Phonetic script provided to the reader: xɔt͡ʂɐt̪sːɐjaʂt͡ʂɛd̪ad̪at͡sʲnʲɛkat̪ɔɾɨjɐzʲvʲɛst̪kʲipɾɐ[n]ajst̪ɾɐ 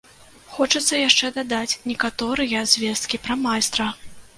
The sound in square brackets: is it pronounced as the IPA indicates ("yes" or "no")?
no